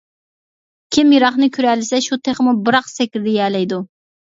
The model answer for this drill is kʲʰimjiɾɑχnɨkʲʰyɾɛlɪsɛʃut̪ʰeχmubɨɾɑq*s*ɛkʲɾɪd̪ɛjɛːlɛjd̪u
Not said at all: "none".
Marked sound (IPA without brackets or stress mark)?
s